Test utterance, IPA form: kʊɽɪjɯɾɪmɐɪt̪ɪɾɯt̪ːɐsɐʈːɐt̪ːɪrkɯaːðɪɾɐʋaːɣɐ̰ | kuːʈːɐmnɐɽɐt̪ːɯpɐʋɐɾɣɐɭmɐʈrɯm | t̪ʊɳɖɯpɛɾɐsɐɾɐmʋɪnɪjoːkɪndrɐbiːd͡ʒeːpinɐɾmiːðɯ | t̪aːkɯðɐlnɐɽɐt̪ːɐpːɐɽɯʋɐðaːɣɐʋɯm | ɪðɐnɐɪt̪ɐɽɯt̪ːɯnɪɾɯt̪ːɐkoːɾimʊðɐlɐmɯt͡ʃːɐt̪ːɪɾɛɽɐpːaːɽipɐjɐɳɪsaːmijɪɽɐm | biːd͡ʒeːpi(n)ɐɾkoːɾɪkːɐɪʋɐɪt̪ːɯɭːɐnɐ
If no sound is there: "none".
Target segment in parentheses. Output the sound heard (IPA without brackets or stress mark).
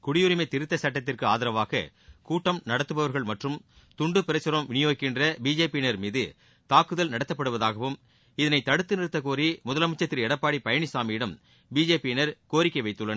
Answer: n